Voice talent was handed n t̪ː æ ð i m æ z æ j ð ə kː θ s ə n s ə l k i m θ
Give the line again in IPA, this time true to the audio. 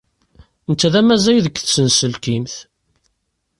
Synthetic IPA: n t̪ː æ ð æ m æ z æ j ð ə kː θ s ə n s ə l k i m θ